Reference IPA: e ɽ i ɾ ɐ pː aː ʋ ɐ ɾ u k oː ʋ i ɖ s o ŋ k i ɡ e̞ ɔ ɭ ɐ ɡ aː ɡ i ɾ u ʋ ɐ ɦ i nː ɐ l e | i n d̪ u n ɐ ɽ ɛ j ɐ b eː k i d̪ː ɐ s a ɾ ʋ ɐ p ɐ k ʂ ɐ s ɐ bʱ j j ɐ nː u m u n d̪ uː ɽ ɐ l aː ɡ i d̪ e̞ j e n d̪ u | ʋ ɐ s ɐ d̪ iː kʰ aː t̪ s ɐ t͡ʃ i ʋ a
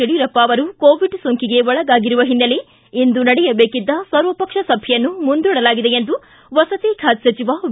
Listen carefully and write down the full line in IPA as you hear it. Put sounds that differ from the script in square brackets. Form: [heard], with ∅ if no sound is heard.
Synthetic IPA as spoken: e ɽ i ɾ ɐ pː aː ʋ ɐ ɾ u k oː ʋ i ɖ s o ŋ k i ɡ e̞ ɔ ɭ ɐ ɡ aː ɡ i ɾ u ʋ ɐ ɦ i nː ɐ l e | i n d̪ u n ɐ ɽ ɛ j ɐ b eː k i d̪ː ɐ s [ɐ] ɾ ʋ ɐ p ɐ k ʂ ɐ s ɐ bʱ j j ɐ nː u m u n d̪ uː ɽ ɐ l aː ɡ i d̪ e̞ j e n d̪ u | ʋ ɐ s ɐ [t̪] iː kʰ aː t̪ s ɐ t͡ʃ i ʋ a

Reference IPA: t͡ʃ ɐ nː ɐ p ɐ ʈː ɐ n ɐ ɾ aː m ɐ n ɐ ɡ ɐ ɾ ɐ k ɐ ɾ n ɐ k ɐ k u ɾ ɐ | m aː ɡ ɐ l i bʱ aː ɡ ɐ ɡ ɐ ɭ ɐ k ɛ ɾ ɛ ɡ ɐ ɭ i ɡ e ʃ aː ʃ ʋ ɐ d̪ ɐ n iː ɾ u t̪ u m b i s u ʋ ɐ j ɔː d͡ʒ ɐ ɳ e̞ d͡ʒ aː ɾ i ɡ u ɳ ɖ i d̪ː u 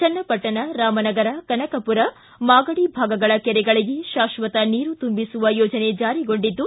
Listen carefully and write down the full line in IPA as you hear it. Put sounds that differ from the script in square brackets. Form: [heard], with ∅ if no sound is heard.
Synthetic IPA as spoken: t͡ʃ ɐ nː ɐ p ɐ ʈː ɐ n ɐ ɾ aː m ɐ n ɐ ɡ ɐ ɾ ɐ k ɐ [∅] n ɐ k ɐ [p] u ɾ ɐ | m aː ɡ ɐ [ɽ] i bʱ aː ɡ ɐ ɡ ɐ ɭ ɐ k ɛ ɾ ɛ ɡ ɐ ɭ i ɡ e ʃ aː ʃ ʋ ɐ [t̪] ɐ n iː ɾ u t̪ u m b i s u ʋ ɐ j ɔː d͡ʒ ɐ [n] e̞ d͡ʒ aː ɾ i ɡ [o] ɳ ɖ i d̪ː u

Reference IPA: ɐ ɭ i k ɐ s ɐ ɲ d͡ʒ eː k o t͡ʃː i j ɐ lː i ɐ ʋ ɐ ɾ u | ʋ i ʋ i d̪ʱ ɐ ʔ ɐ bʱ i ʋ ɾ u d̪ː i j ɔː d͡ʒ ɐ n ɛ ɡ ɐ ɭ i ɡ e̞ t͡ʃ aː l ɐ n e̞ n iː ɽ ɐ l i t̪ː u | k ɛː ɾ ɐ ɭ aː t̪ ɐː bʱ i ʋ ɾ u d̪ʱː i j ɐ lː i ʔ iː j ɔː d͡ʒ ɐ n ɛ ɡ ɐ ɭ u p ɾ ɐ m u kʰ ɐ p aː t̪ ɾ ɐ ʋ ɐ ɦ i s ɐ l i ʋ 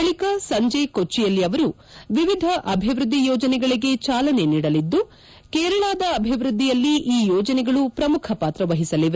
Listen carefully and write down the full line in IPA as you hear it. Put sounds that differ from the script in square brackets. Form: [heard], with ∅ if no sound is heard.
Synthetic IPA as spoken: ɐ ɭ i k ɐ s ɐ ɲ d͡ʒ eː k o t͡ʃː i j ɐ lː i ɐ ʋ ɐ ɾ u | ʋ i ʋ i d̪ʱ ɐ ʔ ɐ bʱ i ʋ ɾ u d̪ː i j ɔː d͡ʒ ɐ n ɛ ɡ ɐ ɭ i ɡ e̞ t͡ʃ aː l ɐ n e̞ n iː ɽ ɐ l i [d̪ː] u | k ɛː ɾ ɐ ɭ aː [d̪] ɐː bʱ i ʋ ɾ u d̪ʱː i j ɐ lː i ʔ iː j ɔː d͡ʒ ɐ n ɛ ɡ ɐ ɭ u p ɾ ɐ m u kʰ ɐ p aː t̪ ɾ ɐ ʋ ɐ ɦ i s ɐ l i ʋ

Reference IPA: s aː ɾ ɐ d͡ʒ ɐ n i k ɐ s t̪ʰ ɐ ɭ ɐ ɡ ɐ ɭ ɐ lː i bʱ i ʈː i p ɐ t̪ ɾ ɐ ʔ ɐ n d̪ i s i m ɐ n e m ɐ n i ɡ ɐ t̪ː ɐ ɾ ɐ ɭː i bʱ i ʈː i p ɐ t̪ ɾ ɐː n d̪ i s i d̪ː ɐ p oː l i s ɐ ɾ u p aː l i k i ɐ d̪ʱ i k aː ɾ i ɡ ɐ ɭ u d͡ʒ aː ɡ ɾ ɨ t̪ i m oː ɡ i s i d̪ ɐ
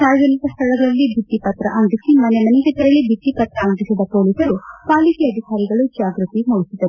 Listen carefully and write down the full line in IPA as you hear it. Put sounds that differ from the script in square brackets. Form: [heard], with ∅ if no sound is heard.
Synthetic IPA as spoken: s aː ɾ ɐ d͡ʒ ɐ n i k ɐ s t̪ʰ ɐ ɭ ɐ ɡ ɐ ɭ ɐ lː i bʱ i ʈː i p ɐ t̪ ɾ ɐ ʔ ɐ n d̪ i s i m ɐ n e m ɐ n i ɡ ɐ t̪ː ɐ ɾ ɐ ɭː i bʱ i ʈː i p ɐ t̪ ɾ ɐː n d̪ i s i [d̪] ɐ p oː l i s ɐ ɾ u p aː l i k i ɐ d̪ʱ i k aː ɾ i ɡ ɐ ɭ u d͡ʒ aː ɡ ɾ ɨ t̪ i m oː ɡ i s i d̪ ɐ

